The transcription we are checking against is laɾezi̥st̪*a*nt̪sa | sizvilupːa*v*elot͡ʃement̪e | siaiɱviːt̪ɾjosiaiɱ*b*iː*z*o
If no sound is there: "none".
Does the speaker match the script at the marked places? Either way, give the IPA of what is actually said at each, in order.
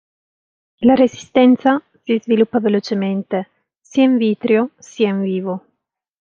ɛ, v, v, v

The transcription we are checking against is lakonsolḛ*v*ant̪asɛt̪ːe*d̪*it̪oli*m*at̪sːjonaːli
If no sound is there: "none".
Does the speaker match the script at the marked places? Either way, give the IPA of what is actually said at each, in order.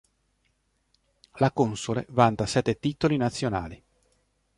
v, t̪, n

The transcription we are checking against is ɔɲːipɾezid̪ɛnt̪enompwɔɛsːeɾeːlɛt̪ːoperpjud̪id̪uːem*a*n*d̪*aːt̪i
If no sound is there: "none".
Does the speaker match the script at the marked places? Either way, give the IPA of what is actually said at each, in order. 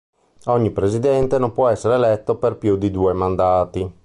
a, d̪

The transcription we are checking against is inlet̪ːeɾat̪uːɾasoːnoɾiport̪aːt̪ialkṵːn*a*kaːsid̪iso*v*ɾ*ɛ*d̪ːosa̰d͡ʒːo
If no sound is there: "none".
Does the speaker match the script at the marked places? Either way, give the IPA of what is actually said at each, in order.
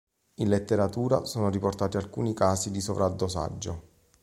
i, v, a

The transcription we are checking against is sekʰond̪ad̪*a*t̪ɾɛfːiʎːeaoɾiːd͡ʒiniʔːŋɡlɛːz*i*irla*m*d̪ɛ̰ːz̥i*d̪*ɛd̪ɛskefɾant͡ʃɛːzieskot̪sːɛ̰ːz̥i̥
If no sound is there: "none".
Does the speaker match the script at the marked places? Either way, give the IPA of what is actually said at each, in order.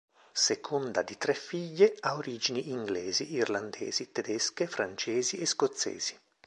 i, i, n, t̪

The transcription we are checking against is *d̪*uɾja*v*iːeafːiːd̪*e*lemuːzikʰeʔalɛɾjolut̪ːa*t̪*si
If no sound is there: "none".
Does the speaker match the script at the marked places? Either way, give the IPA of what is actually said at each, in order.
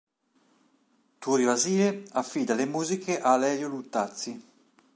t̪, z, a, t̪

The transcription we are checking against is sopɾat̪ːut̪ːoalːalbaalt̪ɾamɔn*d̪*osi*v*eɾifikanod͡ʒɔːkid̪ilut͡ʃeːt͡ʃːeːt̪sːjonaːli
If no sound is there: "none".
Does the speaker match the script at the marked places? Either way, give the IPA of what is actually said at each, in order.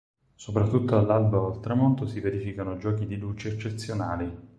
t̪, v

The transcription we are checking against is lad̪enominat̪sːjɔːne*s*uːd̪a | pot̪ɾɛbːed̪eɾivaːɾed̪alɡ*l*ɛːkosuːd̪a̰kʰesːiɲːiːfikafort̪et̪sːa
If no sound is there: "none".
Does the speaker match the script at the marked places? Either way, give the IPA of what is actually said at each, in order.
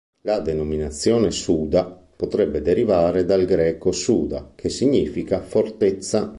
s, ɾ

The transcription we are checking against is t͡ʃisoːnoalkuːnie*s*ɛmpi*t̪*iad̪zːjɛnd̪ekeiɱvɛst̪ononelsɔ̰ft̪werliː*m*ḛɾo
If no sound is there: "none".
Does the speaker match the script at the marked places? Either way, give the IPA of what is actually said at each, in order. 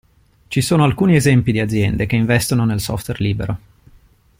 z, d̪, b

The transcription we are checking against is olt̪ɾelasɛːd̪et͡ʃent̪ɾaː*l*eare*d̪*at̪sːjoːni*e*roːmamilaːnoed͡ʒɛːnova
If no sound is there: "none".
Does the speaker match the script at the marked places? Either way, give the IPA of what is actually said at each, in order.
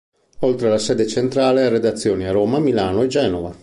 l, d̪, a

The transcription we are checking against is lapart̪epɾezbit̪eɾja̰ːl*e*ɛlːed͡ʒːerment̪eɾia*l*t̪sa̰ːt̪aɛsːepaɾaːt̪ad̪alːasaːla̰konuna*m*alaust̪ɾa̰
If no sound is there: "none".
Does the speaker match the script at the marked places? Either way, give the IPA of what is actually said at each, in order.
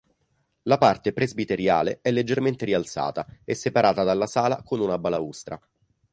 e, l, b

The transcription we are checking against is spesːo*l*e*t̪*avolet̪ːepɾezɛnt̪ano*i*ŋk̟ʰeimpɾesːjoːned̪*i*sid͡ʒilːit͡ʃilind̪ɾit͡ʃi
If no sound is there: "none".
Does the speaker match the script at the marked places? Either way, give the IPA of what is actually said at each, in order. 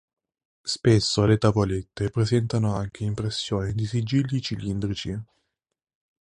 l, t̪, a, i

